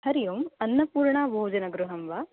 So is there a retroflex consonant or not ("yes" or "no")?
yes